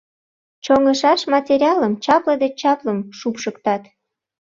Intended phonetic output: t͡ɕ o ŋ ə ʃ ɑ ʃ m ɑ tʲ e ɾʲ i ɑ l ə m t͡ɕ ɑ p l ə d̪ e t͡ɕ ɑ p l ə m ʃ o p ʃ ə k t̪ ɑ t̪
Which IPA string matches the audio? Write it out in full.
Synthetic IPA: t͡ɕ o ŋ ə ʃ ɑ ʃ m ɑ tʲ e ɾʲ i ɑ l ə m t͡ɕ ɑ p l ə d̪ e t͡ɕ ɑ p l ə m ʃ u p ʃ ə k t̪ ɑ t̪